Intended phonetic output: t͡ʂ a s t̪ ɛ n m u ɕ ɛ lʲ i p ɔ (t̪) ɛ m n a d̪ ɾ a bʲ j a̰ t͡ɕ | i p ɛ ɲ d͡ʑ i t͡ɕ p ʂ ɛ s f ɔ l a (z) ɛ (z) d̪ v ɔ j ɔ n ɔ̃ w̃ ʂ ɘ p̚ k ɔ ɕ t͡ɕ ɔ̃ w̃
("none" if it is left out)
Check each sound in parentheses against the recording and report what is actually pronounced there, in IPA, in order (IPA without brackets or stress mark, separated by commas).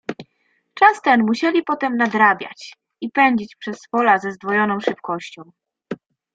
t̪, z, z